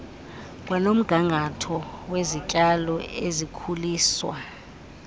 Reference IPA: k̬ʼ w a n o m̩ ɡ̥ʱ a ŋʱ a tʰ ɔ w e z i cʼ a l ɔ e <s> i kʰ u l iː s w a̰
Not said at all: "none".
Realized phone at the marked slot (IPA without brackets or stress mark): z